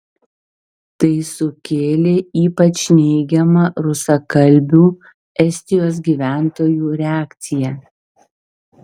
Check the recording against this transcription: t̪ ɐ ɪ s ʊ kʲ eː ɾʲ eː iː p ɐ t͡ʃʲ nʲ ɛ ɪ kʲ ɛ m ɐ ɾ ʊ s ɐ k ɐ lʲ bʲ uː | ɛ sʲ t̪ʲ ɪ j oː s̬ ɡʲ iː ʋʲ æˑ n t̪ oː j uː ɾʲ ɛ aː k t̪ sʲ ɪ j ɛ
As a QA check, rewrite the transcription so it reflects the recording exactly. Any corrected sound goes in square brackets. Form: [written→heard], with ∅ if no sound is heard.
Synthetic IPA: t̪ ɐ ɪ s ʊ kʲ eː [ɾʲ→lʲ] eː iː p ɐ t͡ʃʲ nʲ ɛ ɪ [kʲ→ɡʲ] ɛ m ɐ ɾ ʊ s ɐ k ɐ lʲ bʲ uː | ɛ sʲ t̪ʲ ɪ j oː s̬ ɡʲ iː ʋʲ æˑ n t̪ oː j uː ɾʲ ɛ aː k t̪ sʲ ɪ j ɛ

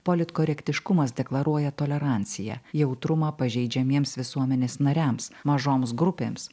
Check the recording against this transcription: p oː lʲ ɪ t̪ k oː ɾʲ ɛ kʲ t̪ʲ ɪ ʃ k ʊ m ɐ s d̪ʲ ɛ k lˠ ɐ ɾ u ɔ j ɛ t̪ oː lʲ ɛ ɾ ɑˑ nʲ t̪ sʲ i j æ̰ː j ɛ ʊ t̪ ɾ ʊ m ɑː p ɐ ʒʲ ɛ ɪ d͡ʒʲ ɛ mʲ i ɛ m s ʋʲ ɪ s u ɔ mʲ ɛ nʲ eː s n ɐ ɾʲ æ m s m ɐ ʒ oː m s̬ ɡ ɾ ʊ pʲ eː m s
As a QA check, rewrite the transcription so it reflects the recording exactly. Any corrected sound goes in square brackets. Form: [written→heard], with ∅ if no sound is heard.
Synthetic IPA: p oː lʲ ɪ t̪ k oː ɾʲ ɛ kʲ t̪ʲ ɪ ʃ k ʊ m ɐ s d̪ʲ ɛ k lˠ ɐ ɾ u ɔ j ɛ t̪ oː lʲ ɛ ɾ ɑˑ nʲ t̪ sʲ [i→ɪ] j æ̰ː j ɛ ʊ t̪ ɾ ʊ m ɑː p ɐ ʒʲ ɛ ɪ d͡ʒʲ ɛ mʲ i ɛ m s ʋʲ ɪ s u ɔ mʲ ɛ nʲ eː s n ɐ ɾʲ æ m s m ɐ ʒ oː m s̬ ɡ ɾ ʊ pʲ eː m s

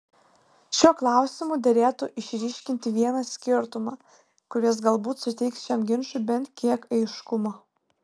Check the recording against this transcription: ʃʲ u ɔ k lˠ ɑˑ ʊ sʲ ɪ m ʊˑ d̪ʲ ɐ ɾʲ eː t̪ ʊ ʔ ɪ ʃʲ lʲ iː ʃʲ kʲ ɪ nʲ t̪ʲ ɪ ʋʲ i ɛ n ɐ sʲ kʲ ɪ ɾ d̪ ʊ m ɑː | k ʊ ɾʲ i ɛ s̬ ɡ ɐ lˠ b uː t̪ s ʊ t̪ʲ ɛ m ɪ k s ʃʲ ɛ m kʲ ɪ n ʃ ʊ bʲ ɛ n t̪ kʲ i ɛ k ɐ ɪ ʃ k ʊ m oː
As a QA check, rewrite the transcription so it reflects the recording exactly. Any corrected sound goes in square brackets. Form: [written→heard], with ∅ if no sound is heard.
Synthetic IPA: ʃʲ u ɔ k lˠ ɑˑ ʊ sʲ ɪ m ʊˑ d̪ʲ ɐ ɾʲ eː t̪ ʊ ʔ ɪ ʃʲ [lʲ→ɾʲ] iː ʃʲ kʲ ɪ nʲ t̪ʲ ɪ ʋʲ i ɛ n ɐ sʲ kʲ ɪ ɾ [d̪→t̪] ʊ m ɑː | k ʊ ɾʲ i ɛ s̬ ɡ ɐ lˠ b uː t̪ s ʊ t̪ʲ ɛ [m→∅] ɪ k s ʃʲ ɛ m [kʲ→ɡʲ] ɪ n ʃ ʊ bʲ ɛ n t̪ kʲ i ɛ k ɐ ɪ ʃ k ʊ m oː

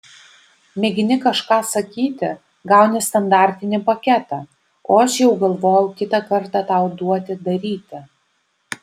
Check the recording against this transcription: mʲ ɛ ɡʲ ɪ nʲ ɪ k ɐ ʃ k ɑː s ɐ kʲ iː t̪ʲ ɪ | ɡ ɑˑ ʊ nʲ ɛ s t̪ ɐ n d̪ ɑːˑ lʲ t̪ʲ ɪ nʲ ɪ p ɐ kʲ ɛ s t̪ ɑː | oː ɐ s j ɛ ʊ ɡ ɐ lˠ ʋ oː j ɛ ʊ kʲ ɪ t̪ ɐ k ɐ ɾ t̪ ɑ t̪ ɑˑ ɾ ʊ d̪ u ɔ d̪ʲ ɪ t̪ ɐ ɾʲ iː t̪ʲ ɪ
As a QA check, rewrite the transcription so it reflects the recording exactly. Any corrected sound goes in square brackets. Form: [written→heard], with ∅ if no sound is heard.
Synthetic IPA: mʲ ɛ ɡʲ ɪ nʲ ɪ k ɐ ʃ k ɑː s ɐ kʲ iː t̪ʲ ɪ | ɡ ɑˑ ʊ nʲ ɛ s t̪ ɐ n d̪ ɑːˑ [lʲ→ɾʲ] t̪ʲ ɪ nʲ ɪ p ɐ kʲ ɛ [s→∅] t̪ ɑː | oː ɐ [s→ʃ] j ɛ ʊ ɡ ɐ lˠ ʋ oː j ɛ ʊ kʲ ɪ t̪ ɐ k ɐ ɾ t̪ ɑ t̪ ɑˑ [ɾ→∅] ʊ d̪ u ɔ [d̪ʲ→t̪ʲ] ɪ [t̪→d̪] ɐ ɾʲ iː t̪ʲ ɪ

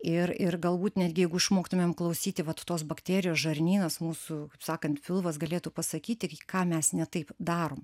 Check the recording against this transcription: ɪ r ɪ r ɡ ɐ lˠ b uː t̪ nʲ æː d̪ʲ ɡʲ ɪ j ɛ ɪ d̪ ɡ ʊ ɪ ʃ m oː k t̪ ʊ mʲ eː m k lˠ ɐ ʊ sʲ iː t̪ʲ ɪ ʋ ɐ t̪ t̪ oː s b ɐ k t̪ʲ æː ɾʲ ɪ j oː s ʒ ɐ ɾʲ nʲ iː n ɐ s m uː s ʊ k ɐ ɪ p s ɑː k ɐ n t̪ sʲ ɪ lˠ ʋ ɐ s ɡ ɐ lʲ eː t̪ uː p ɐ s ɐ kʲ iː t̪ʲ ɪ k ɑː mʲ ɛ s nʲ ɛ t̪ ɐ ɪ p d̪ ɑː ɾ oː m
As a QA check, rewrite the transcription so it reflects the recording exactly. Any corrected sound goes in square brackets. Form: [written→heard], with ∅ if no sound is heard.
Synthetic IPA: ɪ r ɪ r ɡ ɐ lˠ b uː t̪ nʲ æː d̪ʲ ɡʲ ɪ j ɛ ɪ [d̪→∅] ɡ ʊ ɪ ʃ m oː k t̪ ʊ mʲ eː m k lˠ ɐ ʊ sʲ iː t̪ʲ ɪ ʋ ɐ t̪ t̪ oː s b ɐ k t̪ʲ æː ɾʲ ɪ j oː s ʒ ɐ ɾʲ nʲ iː n ɐ s m uː s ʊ k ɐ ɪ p s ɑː k ɐ n t̪ [sʲ→fʲ] ɪ lˠ ʋ ɐ s ɡ ɐ lʲ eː t̪ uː p ɐ s ɐ kʲ iː t̪ʲ ɪ k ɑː mʲ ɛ s nʲ ɛ t̪ ɐ ɪ p d̪ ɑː ɾ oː m

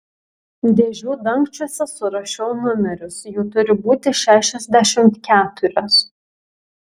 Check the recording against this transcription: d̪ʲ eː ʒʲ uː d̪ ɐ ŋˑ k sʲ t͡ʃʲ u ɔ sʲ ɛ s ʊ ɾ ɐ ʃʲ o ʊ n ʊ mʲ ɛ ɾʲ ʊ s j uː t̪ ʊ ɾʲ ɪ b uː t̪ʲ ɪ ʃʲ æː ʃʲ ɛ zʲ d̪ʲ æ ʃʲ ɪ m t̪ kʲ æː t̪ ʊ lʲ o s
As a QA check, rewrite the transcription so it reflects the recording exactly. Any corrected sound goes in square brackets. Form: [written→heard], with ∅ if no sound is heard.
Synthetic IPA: d̪ʲ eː ʒʲ uː d̪ ɐ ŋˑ k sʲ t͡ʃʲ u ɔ sʲ ɛ s ʊ ɾ ɐ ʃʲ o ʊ n ʊ mʲ ɛ ɾʲ ʊ s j uː t̪ ʊ ɾʲ ɪ b uː t̪ʲ ɪ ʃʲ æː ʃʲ ɛ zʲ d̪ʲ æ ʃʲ ɪ m t̪ kʲ æː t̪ ʊ [lʲ→ɾʲ] o s

